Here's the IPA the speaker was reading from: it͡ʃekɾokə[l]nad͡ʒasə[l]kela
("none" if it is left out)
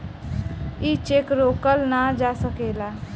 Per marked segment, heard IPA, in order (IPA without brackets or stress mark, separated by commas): l, none